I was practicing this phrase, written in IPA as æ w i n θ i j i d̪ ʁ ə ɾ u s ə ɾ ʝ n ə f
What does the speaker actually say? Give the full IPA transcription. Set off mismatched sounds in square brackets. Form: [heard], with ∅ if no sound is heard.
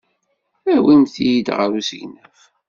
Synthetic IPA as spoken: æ w i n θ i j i d̪ ʁ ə ɾ u s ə [∅] ʝ n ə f